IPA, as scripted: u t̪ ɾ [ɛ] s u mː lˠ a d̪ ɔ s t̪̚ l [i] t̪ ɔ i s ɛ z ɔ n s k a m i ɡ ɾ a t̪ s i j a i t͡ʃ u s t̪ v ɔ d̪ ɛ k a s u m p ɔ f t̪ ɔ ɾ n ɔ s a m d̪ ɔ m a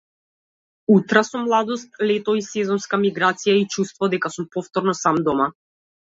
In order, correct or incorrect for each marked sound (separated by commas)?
incorrect, incorrect